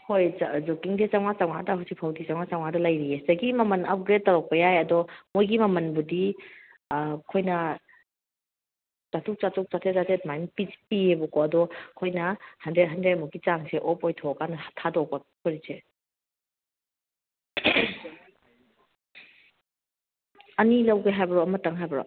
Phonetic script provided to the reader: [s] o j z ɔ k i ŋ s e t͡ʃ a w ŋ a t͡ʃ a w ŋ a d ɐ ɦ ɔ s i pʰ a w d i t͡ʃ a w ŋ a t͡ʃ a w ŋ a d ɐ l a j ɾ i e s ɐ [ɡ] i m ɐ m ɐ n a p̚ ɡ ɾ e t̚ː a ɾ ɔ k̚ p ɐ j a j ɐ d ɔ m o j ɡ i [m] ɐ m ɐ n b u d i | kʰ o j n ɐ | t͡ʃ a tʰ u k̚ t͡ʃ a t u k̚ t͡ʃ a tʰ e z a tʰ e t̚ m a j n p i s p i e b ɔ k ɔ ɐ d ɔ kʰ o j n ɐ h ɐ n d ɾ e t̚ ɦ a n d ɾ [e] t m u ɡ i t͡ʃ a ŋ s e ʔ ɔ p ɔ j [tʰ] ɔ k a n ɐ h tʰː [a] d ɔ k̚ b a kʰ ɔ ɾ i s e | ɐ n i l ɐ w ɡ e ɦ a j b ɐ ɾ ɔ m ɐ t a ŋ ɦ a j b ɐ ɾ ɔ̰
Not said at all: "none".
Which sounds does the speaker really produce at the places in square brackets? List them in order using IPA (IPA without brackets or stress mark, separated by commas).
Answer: h, ɡ, m, e, tʰ, a